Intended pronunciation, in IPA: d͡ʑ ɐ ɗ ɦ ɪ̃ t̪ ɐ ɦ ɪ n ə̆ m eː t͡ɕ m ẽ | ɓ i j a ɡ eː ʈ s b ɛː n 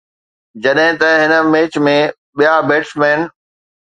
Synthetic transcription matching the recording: d͡ʑ ɐ ɗ ɦ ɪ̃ t̪ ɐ ɦ ɪ n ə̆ m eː t͡ɕ m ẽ | ɓ i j a b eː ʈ s m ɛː n